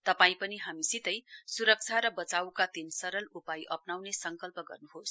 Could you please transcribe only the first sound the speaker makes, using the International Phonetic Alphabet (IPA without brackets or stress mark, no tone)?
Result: t̪